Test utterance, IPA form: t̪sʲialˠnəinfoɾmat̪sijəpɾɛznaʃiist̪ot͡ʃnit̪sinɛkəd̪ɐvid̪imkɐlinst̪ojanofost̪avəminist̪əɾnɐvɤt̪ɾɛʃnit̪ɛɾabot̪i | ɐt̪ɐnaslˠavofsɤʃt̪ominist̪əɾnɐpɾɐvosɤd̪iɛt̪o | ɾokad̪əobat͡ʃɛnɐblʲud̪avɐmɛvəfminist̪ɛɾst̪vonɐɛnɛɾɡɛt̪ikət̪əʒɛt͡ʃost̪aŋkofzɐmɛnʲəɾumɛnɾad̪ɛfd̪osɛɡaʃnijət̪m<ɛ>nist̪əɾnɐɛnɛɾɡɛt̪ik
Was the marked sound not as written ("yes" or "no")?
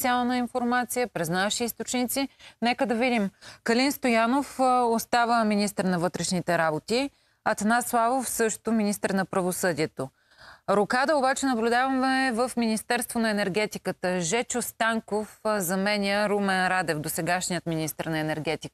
yes